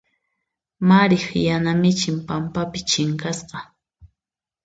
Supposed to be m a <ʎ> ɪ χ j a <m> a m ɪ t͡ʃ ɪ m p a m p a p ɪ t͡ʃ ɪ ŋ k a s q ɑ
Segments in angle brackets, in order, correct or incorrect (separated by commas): incorrect, incorrect